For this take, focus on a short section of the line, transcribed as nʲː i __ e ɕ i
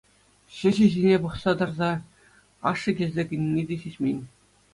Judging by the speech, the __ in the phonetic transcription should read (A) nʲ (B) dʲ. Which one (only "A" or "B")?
B